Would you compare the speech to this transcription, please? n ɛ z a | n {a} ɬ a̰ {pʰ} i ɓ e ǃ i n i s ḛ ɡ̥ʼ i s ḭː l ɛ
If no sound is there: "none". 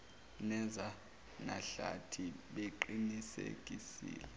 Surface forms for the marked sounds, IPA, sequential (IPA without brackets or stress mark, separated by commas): a, tʰ